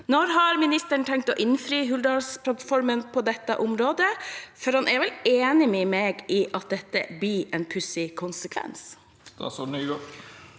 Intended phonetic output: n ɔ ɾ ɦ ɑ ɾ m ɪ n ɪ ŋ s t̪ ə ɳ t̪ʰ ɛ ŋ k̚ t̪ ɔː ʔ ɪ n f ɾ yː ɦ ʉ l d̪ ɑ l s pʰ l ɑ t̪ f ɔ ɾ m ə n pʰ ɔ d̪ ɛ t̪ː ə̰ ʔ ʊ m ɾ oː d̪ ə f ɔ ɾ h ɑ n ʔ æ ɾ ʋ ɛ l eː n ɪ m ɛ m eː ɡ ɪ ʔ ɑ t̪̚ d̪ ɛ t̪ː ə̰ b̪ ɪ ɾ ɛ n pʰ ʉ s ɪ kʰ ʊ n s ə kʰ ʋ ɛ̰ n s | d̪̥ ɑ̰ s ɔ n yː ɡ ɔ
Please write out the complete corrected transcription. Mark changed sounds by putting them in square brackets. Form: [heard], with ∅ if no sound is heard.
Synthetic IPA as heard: n ɔ ɾ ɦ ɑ ɾ m ɪ n ɪ [∅] s t̪ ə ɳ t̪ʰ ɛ ŋ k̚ t̪ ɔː ʔ ɪ n f ɾ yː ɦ ʉ l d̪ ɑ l s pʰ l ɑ t̪ f ɔ ɾ m ə n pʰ ɔ d̪ ɛ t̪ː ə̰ ʔ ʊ m ɾ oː d̪ ə f ɔ ɾ h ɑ n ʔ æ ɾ ʋ ɛ l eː n ɪ m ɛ m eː ɡ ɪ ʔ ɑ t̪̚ d̪ ɛ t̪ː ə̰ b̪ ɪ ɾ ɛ n pʰ ʉ s ɪ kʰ ʊ n s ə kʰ ʋ ɛ̰ n s | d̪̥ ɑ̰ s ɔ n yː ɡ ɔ